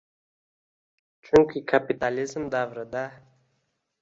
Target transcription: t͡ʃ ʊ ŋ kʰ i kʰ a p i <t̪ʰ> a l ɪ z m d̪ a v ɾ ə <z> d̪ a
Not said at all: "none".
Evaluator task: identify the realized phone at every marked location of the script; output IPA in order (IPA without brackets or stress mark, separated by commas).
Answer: t̪, none